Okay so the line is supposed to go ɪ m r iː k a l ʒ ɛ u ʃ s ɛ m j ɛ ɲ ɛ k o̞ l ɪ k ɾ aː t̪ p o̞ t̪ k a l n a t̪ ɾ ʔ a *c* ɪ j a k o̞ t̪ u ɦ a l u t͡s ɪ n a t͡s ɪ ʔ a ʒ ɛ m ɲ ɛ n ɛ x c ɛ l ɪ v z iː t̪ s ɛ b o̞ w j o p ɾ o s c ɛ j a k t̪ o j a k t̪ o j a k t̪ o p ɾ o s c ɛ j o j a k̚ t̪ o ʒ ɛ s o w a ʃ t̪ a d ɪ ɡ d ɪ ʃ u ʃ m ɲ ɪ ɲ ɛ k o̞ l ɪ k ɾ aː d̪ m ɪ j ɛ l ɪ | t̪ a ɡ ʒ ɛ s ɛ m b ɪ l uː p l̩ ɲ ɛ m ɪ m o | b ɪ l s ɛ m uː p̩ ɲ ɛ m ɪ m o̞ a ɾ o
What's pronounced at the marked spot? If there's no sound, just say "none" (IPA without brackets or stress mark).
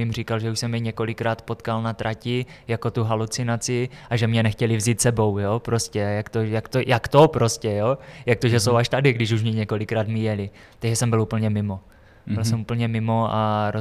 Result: c